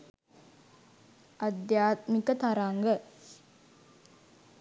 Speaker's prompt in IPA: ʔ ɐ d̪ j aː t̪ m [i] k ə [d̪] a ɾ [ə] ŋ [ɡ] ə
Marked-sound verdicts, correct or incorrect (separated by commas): correct, incorrect, incorrect, correct